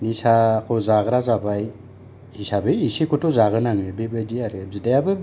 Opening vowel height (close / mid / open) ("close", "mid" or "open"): close